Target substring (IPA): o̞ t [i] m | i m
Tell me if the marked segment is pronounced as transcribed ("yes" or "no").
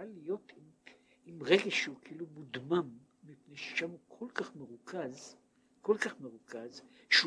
yes